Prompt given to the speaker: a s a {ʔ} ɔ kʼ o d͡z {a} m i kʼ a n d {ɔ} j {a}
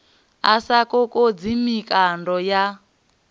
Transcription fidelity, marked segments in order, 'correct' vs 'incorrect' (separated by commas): incorrect, incorrect, correct, correct